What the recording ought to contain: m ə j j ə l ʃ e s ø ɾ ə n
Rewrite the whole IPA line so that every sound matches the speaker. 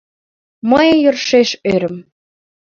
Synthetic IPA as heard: m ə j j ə r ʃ e ʃ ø ɾ ə m